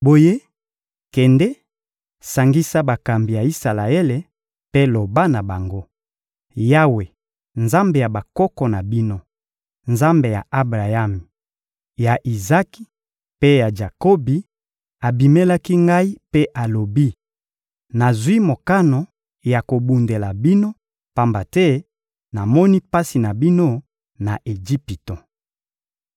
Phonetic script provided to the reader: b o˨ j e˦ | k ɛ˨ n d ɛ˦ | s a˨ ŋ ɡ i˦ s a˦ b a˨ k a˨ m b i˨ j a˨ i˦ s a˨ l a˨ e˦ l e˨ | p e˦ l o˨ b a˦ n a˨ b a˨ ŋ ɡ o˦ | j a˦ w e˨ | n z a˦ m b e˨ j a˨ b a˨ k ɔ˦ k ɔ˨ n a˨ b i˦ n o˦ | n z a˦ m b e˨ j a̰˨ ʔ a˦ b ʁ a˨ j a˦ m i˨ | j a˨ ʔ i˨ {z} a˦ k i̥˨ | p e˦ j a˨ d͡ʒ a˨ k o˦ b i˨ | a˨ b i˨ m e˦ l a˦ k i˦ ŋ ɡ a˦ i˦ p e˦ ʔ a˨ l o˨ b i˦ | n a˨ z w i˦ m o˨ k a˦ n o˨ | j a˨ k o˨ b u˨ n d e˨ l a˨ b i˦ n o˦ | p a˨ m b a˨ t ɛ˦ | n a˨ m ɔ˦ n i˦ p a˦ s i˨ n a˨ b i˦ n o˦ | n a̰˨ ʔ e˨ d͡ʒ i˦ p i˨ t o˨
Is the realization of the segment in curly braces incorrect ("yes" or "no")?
no